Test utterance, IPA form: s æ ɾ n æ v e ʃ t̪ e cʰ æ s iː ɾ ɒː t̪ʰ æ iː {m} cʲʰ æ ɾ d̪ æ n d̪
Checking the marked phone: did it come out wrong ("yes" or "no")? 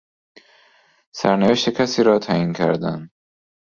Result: yes